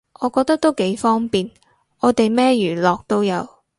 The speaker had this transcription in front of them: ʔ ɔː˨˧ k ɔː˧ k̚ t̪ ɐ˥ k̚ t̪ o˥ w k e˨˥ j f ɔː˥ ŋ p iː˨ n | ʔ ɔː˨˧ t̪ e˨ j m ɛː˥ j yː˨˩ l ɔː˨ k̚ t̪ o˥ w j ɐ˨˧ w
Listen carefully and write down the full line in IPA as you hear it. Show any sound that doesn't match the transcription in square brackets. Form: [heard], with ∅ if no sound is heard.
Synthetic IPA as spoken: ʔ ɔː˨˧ k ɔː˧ k̚ t̪ ɐ˥ k̚ t̪ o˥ w k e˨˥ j f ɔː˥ ŋ p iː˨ n | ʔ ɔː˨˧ t̪ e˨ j m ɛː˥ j yː˨˩ l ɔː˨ k̚ t̪ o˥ w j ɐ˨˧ w